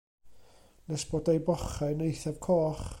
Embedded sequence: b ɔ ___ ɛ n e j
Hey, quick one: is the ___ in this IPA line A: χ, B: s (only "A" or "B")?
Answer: A